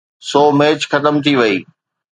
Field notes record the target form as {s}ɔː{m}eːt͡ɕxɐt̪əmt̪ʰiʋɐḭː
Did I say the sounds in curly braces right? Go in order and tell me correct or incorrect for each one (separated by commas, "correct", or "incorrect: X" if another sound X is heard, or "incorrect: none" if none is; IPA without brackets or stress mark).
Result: correct, correct